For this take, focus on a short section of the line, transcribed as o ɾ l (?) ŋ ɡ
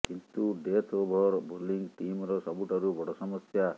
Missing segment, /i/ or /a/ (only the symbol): i